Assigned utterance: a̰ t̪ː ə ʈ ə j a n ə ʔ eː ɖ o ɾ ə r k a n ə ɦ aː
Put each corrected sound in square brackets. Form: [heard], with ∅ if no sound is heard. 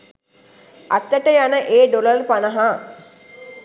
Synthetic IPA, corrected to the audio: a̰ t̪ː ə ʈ ə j a n ə ʔ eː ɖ o [l] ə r [p] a n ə ɦ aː